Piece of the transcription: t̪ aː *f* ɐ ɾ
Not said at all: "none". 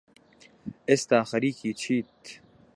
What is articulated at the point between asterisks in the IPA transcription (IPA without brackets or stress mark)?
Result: x